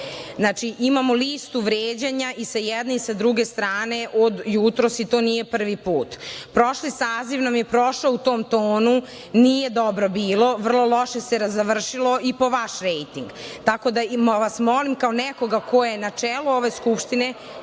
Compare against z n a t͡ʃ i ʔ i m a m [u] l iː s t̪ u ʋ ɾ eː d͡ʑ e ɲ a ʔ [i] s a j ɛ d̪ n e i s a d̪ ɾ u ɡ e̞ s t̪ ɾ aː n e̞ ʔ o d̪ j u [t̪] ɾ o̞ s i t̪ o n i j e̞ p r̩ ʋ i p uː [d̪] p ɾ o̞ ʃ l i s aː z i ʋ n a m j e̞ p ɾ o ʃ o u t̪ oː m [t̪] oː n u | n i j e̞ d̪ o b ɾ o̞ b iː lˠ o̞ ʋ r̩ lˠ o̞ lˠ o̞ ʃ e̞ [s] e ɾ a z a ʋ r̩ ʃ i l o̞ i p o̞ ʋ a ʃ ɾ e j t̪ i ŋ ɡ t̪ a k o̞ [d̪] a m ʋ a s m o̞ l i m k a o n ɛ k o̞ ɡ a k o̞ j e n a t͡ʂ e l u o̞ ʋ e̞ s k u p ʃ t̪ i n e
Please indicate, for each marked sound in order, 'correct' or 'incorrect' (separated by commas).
incorrect, correct, correct, incorrect, correct, correct, correct